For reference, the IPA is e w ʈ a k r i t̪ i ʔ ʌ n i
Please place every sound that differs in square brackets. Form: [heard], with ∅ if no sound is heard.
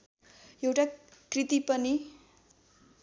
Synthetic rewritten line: e w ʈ a k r i t̪ i [p] ʌ n i